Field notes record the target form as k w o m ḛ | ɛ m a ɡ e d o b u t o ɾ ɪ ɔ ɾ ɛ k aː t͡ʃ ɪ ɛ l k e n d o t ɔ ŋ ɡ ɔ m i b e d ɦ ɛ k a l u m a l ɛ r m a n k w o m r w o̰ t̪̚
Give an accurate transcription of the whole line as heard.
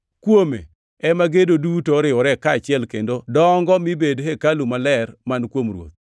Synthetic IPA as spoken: k w o m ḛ | ɛ m a ɡ e d o d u t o ɾ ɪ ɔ ɾ ɛ k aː t͡ʃ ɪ ɛ l k e n d o d ɔ ŋ ɡ ɔ m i b e d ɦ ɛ k a l u m a l ɛ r m a n k w o m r w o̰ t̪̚

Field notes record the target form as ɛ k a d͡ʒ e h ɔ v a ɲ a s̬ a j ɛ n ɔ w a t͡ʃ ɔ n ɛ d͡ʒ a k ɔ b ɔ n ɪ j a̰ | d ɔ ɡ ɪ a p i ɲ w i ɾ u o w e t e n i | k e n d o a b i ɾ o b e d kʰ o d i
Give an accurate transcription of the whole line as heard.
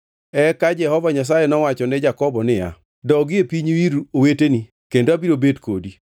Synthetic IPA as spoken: ɛ k a d͡ʒ ɛ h ɔ v a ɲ a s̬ a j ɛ n ɔ w a t͡ʃ ɔ n ɛ d͡ʒ a k ɔ b ɔ n ɪ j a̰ | d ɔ ɡ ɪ e p i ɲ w i ɾ u o w e t e n i | k e n d o a b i ɾ o b e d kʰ o d i

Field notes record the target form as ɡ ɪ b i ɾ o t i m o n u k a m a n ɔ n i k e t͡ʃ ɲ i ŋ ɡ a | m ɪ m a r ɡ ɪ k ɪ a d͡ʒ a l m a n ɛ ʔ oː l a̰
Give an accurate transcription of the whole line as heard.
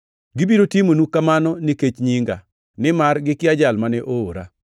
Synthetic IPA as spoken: ɡ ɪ b i ɾ o t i m o n u k a m a n ɔ n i k e t͡ʃ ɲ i ŋ ɡ a | n ɪ m a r ɡ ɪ k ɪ a d͡ʒ a l m a n ɛ ʔ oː ɾ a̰

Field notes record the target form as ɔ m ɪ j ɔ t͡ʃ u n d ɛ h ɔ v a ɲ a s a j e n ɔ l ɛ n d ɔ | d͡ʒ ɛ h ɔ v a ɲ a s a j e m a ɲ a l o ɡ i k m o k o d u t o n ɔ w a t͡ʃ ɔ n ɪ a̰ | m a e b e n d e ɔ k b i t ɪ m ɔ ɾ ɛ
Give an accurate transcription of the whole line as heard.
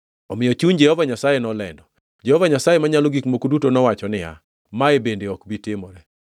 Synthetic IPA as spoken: ɔ m ɪ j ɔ t͡ʃ u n d͡ʒ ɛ h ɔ v a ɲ a s a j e n ɔ l ɛ n d ɔ | d͡ʒ ɛ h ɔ v a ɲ a s a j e m a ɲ a l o ɡ i k m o k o d u t o n ɔ w a t͡ʃ ɔ n ɪ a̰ | m a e b e n d e ɔ k b i t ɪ m ɔ ɾ ɛ

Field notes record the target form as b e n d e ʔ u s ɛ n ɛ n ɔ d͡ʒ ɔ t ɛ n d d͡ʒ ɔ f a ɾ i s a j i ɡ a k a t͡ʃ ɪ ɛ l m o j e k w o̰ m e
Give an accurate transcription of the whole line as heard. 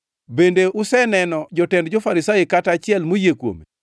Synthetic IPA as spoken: b e n d e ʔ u s ɛ n ɛ n ɔ d͡ʒ ɔ t ɛ n d d͡ʒ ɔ f a ɾ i s a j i k a t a t͡ʃ ɪ ɛ l m o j e k w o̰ m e

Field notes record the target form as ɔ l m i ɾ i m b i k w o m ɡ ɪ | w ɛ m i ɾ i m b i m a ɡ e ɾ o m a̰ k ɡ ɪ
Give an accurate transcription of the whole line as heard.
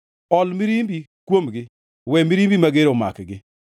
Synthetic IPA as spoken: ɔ l m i ɾ i m b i k w o m ɡ ɪ | w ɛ m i ɾ i m b i m a ɡ e ɾ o m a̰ k ɡ ɪ

